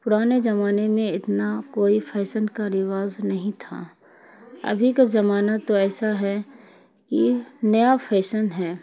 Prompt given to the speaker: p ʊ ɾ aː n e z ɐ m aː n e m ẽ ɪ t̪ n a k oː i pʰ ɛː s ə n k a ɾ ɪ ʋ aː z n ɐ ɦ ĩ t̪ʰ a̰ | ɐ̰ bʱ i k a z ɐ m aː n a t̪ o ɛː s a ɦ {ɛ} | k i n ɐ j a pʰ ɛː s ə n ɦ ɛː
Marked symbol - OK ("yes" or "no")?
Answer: yes